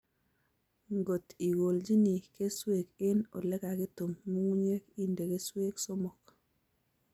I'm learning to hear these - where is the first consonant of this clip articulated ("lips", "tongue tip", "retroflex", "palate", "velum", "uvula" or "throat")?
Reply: velum